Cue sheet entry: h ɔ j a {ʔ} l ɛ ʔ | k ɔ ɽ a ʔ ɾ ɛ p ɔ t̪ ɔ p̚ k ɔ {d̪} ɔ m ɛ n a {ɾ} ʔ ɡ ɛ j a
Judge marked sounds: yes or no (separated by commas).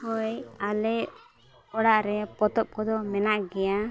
no, yes, no